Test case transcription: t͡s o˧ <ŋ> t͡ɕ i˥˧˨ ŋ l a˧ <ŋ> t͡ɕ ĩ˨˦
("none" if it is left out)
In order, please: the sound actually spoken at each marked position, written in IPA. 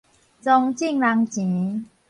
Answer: ŋ, ŋ

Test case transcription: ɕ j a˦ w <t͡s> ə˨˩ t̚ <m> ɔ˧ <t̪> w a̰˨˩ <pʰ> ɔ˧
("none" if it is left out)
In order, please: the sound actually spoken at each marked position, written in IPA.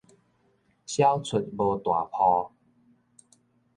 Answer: t͡sʰ, b, t̪, pʰ

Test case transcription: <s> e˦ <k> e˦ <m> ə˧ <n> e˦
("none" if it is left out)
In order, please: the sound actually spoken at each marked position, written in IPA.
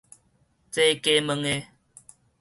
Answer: t͡s, k, m, ŋ

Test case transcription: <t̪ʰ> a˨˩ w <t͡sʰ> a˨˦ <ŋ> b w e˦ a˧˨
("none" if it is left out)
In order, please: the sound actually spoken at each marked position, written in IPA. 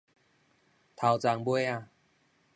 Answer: t̪ʰ, t͡s, ŋ

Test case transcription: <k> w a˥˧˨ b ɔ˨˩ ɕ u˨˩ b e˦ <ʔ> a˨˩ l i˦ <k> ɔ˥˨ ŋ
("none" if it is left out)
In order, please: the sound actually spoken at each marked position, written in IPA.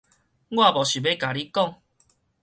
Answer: ɡ, k, k

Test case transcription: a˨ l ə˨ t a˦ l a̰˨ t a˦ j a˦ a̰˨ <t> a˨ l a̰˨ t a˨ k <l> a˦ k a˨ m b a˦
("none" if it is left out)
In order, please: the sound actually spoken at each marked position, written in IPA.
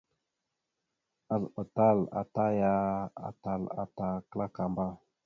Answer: t, l

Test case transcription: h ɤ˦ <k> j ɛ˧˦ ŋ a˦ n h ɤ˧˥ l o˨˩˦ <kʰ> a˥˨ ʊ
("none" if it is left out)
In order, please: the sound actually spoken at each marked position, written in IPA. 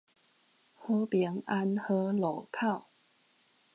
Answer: p, kʰ

